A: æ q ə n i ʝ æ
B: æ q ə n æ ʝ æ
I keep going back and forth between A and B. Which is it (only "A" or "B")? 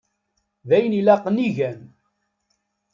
A